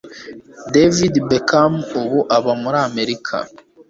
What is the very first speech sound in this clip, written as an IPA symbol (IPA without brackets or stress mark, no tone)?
d